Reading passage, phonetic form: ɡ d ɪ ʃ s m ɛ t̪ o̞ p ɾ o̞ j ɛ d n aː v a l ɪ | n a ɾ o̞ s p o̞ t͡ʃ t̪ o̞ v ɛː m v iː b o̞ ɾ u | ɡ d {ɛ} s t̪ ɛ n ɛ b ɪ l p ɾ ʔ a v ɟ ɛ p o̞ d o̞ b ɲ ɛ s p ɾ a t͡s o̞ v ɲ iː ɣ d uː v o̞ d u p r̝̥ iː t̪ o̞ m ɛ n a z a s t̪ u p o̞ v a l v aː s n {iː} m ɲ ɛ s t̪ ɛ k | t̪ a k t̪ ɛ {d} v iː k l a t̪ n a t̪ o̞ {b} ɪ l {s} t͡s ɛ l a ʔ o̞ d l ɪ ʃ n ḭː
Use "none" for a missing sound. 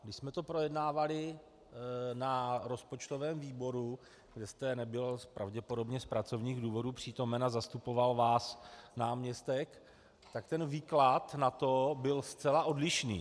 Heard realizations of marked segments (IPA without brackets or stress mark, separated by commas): ɛ, aː, n, b, s